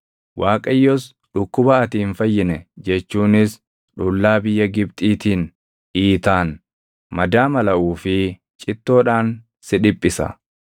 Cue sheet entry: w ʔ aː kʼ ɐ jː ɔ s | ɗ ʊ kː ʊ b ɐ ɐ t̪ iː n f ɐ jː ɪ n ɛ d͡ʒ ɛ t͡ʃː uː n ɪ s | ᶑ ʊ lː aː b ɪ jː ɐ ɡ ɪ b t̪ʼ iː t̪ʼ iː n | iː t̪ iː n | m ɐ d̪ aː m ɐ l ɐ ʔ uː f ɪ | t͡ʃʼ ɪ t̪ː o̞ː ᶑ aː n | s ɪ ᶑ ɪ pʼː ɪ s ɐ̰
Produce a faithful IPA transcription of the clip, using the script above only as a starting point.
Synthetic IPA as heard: w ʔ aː kʼ ɐ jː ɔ s | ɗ ʊ kː ʊ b ɐ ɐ t̪ iː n f ɐ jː ɪ n ɛ d͡ʒ ɛ t͡ʃː uː n ɪ s | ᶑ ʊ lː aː b ɪ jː ɐ ɡ ɪ b t̪ʼ iː t̪ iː n | iː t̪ aː n | m ɐ d̪ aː m ɐ l ɐ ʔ uː f ɪ | t͡ʃʼ ɪ t̪ː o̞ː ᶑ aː n | s ɪ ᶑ ɪ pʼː ɪ s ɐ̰